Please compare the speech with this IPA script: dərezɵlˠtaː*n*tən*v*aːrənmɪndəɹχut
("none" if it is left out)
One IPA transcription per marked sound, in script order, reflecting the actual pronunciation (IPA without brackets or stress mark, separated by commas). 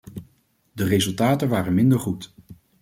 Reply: none, ʋ